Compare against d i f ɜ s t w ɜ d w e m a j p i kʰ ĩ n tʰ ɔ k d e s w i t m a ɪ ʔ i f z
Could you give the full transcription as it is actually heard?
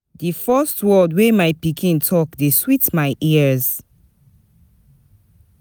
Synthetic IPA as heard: d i f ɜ s t w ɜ d w e m a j p i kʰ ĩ n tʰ ɔ k d e s w i t m a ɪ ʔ i z